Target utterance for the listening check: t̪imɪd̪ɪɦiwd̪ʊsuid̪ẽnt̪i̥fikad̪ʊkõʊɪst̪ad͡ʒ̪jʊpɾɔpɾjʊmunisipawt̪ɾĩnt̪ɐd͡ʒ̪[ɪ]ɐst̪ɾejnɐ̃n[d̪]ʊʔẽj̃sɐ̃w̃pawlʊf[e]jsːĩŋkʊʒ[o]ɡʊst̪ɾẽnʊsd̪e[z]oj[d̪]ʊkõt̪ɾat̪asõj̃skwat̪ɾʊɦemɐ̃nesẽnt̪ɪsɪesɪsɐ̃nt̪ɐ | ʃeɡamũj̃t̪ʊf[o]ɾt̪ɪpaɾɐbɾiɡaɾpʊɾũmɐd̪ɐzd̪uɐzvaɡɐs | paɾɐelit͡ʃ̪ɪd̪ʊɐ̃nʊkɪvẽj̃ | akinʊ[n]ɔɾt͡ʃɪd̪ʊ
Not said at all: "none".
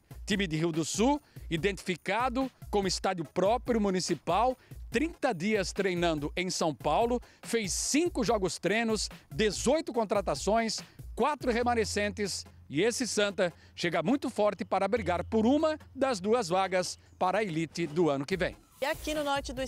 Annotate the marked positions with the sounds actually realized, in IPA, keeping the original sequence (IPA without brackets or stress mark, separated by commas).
i, d̪, e, ɔ, z, t̪, ɔ, n